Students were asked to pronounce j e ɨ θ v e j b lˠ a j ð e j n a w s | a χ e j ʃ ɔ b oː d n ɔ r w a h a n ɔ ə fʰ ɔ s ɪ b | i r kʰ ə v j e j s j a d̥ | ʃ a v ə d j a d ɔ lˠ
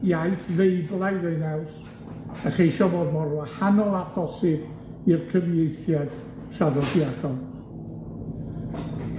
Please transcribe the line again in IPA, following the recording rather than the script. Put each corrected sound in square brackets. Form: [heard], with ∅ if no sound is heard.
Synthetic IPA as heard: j [a] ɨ θ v e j b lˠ a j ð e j n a w s | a χ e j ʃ ɔ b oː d [m] ɔ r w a h a n ɔ [a] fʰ ɔ s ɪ b | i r kʰ ə v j e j [θ] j a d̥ | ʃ a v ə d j a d ɔ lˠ